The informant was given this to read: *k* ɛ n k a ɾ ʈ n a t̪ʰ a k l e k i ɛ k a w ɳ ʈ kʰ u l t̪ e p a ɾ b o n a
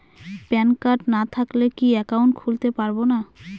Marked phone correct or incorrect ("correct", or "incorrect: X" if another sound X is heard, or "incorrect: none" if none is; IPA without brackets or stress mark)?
incorrect: p